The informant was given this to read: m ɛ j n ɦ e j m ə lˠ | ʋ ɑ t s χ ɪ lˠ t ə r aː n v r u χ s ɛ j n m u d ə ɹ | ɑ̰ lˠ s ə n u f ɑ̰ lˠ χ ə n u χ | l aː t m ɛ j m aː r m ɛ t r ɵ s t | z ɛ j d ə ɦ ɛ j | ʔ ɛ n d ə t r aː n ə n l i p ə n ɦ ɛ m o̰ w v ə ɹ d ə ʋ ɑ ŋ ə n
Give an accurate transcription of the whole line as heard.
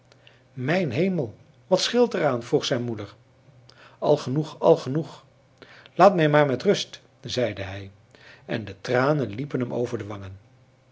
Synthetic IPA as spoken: m ɛ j n ɦ e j m ə lˠ | ʋ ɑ t s χ ɪ lˠ t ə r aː n v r u χ s ɛ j n m u d ə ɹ | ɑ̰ lˠ χ ə n u χ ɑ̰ lˠ χ ə n u χ | l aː t m ɛ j m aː ɹ m ɛ t r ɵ s t | z ɛ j d ə ɦ ɛ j | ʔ ɛ n d ə t r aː n ə n l i p ə n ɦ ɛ m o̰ w v ə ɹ d ə ʋ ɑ ŋ ə n

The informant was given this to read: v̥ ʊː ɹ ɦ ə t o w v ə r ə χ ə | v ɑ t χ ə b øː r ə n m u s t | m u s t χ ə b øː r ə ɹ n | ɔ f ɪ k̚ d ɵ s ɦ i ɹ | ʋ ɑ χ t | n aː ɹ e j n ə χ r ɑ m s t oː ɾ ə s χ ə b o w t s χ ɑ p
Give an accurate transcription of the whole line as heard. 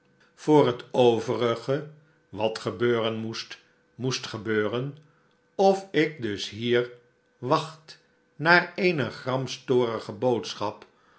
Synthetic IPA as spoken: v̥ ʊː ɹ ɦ ə t o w v ə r ə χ ə | ʋ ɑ t χ ə b øː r ə n m u s t | m u s t χ ə b øː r ə n | ɔ f ɪ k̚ d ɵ s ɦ iː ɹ | ʋ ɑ χ t | n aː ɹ e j n ə χ r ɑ m s t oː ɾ ə χ ə b o w t s χ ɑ p

